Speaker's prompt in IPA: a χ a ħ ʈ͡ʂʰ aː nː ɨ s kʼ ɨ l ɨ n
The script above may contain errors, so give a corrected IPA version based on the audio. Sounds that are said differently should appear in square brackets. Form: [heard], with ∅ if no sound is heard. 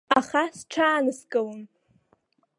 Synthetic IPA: a χ a [s] ʈ͡ʂʰ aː [n] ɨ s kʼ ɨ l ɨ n